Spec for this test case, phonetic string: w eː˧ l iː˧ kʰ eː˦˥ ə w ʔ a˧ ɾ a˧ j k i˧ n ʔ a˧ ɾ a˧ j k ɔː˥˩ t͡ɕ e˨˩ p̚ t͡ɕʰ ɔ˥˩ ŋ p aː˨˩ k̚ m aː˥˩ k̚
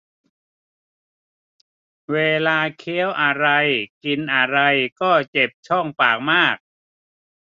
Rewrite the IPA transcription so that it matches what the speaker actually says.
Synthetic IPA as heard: w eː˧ l aː˧ kʰ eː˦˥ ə w ʔ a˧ ɾ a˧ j k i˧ n ʔ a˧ ɾ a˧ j k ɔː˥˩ t͡ɕ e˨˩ p̚ t͡ɕʰ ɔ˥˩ ŋ p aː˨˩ k̚ m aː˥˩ k̚